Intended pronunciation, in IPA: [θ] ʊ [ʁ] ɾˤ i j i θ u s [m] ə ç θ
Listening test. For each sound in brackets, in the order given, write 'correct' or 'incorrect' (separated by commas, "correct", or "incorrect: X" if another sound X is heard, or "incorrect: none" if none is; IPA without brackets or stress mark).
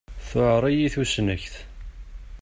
correct, incorrect: ʕ, incorrect: n